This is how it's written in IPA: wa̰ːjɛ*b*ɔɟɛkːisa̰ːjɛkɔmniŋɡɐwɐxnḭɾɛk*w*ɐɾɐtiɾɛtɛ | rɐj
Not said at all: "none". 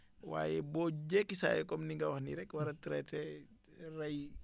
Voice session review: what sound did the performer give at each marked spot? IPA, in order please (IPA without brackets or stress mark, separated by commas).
b, w